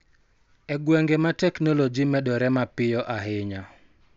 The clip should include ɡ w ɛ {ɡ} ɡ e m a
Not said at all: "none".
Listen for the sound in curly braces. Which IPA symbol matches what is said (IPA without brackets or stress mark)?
ŋ